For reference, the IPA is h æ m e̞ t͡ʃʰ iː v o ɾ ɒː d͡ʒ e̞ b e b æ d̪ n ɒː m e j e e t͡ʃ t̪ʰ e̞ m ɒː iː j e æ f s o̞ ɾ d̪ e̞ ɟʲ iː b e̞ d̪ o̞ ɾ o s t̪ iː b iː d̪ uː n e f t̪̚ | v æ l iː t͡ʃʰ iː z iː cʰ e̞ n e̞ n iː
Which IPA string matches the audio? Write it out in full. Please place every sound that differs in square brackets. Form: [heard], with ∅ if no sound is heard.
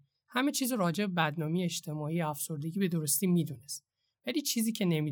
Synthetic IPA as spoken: h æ m e̞ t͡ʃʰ iː [z] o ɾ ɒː d͡ʒ e̞ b e b æ d̪ n ɒː m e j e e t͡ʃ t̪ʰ e̞ m ɒː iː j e æ f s o̞ ɾ d̪ e̞ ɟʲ iː b e̞ d̪ o̞ ɾ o s t̪ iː [m] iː d̪ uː n e [s] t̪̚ | v æ l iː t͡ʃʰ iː z iː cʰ e̞ n e̞ [m] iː